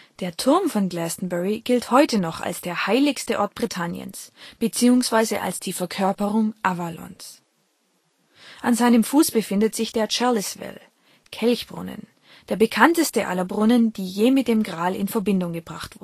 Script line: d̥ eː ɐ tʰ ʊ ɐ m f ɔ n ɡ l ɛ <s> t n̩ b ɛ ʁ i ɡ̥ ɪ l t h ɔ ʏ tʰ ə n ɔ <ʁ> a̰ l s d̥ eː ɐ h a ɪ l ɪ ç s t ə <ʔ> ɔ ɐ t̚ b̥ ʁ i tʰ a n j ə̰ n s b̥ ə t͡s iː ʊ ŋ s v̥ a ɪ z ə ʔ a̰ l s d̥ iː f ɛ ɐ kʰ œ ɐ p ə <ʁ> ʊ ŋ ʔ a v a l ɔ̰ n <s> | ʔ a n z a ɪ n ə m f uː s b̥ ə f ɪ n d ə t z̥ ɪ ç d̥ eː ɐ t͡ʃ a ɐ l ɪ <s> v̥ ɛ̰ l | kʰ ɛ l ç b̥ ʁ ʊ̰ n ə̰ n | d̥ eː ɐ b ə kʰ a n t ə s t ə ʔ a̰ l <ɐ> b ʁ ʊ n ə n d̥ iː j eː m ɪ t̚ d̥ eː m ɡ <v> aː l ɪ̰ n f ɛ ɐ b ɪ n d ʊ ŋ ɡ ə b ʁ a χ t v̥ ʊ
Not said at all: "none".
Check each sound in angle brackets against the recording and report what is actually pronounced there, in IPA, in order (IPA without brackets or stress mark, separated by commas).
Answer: s, χ, ʔ, ʁ, s, s, ɐ, ʁ